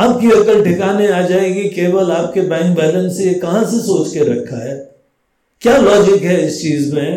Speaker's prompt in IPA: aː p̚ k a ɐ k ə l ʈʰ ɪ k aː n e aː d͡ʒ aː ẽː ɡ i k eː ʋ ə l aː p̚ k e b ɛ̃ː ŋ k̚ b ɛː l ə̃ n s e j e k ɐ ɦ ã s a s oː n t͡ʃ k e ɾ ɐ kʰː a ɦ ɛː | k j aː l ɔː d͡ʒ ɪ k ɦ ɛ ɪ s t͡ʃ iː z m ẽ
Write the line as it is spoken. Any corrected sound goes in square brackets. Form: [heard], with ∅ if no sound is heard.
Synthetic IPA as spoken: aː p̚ k [i] ɐ k ə l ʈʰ ɪ k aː n e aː d͡ʒ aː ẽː ɡ i k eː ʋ ə l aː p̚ k e b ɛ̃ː ŋ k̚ b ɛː l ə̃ n s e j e k ɐ ɦ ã s [e] s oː [∅] t͡ʃ k e ɾ ɐ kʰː a ɦ ɛː | k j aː l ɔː d͡ʒ ɪ k ɦ ɛ ɪ s t͡ʃ iː z m ẽ